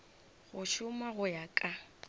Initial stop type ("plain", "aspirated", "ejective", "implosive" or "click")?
ejective